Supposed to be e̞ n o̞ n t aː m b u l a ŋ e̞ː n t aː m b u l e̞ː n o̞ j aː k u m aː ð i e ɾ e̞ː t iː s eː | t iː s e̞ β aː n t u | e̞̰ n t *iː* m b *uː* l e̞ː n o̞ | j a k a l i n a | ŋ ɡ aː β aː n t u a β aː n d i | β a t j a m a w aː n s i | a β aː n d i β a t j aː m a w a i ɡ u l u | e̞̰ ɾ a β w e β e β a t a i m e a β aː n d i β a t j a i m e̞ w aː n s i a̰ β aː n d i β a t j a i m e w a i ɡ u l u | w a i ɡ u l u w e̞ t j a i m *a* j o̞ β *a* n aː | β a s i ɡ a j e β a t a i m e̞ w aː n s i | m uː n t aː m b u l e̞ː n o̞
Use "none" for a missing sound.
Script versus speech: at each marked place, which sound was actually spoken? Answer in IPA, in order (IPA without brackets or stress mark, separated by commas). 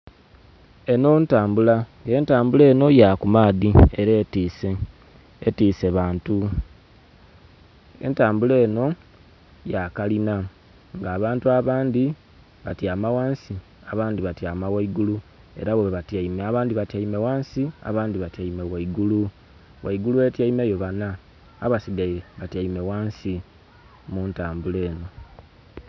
aː, u, e, a